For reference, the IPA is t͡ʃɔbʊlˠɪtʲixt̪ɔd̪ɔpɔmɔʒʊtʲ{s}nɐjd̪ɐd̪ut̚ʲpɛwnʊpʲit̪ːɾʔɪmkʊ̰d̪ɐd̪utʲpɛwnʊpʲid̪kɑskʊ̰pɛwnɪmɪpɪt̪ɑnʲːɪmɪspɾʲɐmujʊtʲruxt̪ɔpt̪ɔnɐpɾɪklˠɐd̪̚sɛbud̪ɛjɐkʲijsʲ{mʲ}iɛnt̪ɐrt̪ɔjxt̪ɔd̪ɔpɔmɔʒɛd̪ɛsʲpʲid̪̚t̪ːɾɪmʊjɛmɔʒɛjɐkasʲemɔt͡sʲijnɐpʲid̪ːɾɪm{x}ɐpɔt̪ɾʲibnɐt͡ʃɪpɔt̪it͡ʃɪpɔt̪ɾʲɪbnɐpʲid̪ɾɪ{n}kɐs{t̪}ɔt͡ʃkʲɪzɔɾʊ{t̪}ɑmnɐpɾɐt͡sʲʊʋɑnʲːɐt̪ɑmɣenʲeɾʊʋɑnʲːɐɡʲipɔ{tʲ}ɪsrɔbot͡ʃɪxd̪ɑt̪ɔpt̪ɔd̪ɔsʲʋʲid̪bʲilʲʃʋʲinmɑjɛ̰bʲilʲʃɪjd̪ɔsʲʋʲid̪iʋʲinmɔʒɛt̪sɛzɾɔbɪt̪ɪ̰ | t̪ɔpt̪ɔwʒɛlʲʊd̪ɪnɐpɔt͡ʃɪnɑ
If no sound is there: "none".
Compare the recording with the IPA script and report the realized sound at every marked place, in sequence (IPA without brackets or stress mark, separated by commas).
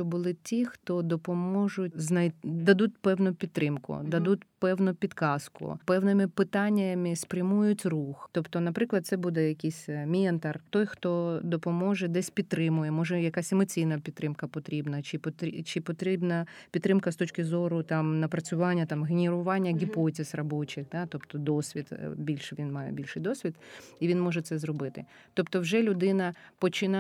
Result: z, mʲ, k, m, t̪, t̪, tʲ